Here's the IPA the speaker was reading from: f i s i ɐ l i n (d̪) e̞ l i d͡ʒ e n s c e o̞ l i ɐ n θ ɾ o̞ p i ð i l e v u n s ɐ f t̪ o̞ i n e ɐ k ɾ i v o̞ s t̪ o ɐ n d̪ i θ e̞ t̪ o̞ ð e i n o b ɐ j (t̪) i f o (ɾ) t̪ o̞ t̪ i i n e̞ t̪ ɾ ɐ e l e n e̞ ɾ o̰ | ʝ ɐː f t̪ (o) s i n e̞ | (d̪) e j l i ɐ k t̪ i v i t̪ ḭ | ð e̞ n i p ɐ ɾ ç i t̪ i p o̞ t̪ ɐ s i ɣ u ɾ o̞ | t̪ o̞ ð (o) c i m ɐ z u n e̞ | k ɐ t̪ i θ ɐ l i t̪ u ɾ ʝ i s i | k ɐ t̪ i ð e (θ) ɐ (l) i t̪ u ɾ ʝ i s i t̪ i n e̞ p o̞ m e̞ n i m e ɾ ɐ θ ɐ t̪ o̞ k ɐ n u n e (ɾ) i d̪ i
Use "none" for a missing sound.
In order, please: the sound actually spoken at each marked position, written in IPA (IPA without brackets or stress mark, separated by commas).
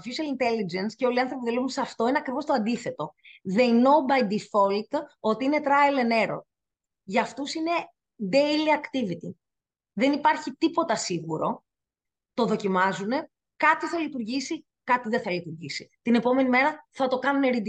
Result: t̪, d̪, l, u, d̪, o, θ, l, ɾ